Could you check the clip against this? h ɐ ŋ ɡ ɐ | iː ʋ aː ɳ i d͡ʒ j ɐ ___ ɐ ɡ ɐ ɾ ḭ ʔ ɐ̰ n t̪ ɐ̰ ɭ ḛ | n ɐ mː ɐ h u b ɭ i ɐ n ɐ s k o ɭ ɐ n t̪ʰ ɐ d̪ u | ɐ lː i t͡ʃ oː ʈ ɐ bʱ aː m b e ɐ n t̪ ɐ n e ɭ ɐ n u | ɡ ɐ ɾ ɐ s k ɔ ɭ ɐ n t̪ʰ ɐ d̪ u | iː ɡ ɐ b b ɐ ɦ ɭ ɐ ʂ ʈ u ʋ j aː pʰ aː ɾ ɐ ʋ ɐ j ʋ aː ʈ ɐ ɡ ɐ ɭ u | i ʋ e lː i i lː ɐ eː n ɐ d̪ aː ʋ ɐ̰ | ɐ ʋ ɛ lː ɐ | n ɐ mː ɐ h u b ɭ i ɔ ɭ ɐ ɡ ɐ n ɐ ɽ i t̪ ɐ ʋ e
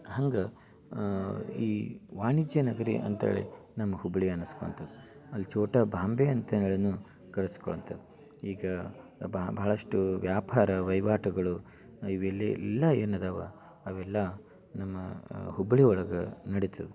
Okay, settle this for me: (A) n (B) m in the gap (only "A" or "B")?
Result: A